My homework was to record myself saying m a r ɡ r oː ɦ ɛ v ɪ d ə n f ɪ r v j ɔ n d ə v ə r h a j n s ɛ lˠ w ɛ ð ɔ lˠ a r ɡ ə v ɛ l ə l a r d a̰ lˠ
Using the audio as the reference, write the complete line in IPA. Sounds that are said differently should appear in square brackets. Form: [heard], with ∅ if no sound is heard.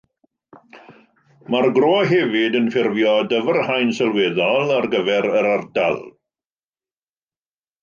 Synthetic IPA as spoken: m a r ɡ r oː ɦ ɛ v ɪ d ə n f ɪ r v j ɔ [∅] d ə v ə r h a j n s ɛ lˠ w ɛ ð ɔ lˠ a r ɡ ə v ɛ [ɾ] ə [ɾ] a r d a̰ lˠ